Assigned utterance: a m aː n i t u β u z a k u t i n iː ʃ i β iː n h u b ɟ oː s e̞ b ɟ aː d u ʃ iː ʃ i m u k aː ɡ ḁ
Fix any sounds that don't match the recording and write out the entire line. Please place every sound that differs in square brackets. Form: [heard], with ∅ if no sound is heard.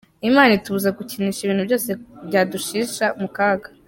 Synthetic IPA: [i] m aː n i t u β u z a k u [c] i n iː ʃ i β iː n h u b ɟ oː s e̞ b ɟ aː d u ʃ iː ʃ [a] m u k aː ɡ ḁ